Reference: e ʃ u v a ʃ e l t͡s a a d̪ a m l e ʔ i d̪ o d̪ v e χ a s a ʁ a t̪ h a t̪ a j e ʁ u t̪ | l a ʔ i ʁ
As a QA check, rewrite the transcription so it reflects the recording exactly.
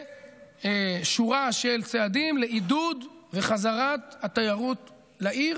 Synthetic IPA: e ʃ u ʁ a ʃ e l t͡s e a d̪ i m l e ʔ i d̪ u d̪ v e χ a z a ʁ a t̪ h a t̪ a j a ʁ u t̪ | l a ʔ i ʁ